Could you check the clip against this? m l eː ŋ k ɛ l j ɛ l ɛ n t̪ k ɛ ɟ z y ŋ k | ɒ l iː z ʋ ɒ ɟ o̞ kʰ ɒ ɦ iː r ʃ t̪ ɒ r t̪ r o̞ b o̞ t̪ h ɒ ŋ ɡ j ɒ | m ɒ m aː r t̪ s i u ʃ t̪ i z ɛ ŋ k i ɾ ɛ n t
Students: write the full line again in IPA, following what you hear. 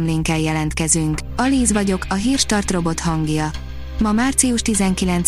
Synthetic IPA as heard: m l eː ŋ k ɛ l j ɛ l ɛ n t̪ k ɛ z y ŋ k | ɒ l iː z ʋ ɒ ɟ o̞ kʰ ɒ ɦ iː r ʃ t̪ ɒ r t̪ r o̞ b o̞ t̪ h ɒ ŋ ɡ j ɒ | m ɒ m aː r t̪ s i u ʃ t̪ i z ɛ ŋ k i l ɛ n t